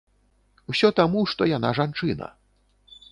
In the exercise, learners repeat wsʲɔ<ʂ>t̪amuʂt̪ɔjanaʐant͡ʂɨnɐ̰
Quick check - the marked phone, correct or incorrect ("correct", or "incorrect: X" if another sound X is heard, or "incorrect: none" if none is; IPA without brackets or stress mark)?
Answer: incorrect: none